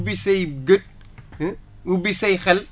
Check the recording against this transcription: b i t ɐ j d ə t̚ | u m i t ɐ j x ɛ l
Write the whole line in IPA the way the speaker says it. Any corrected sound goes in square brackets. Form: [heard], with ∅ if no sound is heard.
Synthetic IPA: b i [s] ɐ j [ɡ] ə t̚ | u [b] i [s] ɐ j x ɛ l